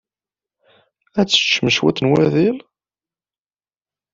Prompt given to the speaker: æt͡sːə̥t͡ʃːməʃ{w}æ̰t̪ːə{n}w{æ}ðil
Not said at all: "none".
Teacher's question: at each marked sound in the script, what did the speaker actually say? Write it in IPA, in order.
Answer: w, n, æ

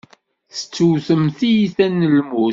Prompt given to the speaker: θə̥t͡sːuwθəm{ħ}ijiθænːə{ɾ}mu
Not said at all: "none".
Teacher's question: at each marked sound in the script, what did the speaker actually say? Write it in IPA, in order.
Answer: θ, l

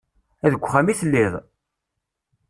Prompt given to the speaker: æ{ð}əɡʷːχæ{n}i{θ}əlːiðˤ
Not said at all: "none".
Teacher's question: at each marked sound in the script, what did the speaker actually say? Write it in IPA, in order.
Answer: ð, m, θ

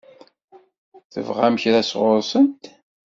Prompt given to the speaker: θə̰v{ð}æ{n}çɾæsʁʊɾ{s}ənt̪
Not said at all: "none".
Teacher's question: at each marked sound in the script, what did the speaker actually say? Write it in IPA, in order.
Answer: ʁ, m, s

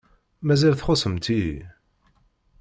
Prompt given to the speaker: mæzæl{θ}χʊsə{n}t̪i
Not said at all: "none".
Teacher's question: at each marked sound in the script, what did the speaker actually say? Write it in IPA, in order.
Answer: θ, m

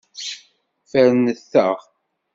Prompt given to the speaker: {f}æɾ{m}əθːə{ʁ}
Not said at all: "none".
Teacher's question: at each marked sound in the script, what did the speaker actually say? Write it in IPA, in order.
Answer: f, n, ʁ

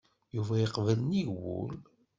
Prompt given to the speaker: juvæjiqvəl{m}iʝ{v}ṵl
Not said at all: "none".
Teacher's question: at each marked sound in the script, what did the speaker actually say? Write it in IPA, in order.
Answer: n, w

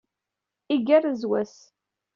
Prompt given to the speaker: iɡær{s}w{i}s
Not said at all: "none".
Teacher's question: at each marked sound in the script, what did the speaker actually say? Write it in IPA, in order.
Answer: z, æ

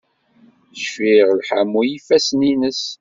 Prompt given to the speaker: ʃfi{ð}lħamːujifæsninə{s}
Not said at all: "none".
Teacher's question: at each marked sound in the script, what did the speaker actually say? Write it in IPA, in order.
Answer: ʁ, s

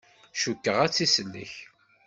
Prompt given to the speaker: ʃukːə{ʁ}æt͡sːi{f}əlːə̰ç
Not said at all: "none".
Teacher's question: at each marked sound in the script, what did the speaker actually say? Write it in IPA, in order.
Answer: ʁ, s

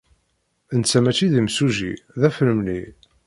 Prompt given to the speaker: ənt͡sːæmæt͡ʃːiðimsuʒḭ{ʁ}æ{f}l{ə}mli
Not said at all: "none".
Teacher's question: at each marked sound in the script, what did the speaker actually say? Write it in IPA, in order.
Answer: ð, f, ə

